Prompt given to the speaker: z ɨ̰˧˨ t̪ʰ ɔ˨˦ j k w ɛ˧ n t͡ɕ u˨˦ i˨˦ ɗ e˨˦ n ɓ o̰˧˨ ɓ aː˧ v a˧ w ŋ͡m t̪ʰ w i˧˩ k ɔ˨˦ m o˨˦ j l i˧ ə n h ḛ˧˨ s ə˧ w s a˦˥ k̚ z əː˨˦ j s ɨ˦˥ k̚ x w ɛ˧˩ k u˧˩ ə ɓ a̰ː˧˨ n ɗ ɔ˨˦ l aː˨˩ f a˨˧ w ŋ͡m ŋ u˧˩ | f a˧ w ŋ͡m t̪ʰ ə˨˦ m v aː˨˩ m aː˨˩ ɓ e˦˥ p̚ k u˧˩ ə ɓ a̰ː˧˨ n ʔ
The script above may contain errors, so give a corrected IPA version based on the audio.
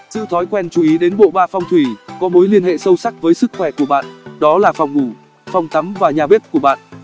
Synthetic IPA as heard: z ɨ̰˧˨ t̪ʰ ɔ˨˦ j k w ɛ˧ n t͡ɕ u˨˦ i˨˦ ɗ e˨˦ n ɓ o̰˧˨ ɓ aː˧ f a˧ w ŋ͡m t̪ʰ w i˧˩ k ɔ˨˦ m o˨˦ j l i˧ ə n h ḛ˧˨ s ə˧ w s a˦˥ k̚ v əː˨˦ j s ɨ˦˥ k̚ x w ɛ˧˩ k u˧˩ ə ɓ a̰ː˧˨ n ɗ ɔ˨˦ l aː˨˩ f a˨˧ w ŋ͡m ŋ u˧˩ | f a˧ w ŋ͡m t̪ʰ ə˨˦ m v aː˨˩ ɲ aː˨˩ ɓ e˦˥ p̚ k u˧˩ ə ɓ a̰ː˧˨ n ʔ